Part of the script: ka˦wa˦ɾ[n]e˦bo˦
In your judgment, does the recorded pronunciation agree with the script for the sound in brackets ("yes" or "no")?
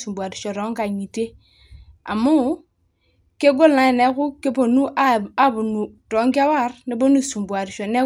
yes